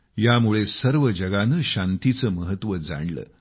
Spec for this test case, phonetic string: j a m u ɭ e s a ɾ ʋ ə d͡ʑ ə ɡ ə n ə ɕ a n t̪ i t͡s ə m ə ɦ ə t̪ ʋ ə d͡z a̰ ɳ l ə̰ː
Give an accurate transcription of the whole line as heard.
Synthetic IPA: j a m u ɭ e s ə ɾ ʋ ə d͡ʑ ə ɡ a n ə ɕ a n t̪ i t͡s ə m ə ɦ ə t̪ ʋ ə d͡z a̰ ɳ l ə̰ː